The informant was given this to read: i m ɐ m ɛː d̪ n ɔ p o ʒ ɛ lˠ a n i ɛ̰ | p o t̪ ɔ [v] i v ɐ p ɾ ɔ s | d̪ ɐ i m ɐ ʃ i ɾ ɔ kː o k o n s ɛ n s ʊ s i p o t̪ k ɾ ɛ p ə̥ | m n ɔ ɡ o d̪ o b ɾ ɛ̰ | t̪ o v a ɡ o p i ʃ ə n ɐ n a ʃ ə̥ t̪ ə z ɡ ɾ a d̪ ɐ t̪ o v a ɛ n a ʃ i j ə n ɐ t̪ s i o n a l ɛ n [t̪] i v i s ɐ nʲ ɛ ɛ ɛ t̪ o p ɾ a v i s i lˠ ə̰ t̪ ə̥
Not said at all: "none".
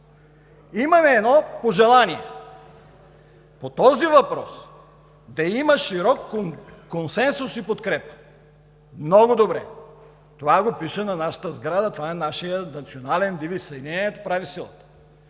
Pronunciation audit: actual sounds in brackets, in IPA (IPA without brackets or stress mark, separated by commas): z, d̪